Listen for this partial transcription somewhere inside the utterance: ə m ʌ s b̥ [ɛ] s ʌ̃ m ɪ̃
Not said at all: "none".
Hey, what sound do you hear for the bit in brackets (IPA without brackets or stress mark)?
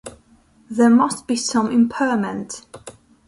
i